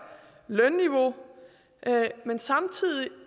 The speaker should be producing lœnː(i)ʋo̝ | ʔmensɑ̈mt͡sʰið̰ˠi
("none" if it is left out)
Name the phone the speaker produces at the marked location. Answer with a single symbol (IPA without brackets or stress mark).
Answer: i